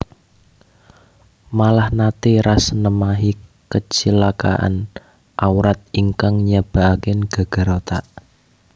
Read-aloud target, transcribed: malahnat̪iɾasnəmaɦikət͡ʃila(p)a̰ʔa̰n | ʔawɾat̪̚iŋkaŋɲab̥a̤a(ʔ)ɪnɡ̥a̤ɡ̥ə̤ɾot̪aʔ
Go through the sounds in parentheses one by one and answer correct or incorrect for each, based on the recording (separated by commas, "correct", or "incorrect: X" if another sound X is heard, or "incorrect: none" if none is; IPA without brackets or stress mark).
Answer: incorrect: k, incorrect: k